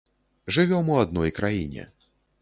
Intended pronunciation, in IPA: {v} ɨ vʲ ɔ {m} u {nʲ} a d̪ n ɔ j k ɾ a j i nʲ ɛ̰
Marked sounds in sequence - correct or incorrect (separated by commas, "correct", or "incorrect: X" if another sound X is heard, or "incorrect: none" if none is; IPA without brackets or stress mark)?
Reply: incorrect: ʐ, correct, incorrect: none